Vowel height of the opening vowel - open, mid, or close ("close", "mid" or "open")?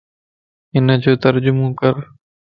close